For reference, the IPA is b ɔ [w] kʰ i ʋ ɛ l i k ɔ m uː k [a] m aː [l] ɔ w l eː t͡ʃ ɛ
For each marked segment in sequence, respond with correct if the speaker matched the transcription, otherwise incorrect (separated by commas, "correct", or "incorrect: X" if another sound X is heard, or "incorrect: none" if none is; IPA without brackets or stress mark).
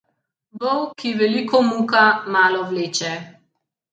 correct, correct, correct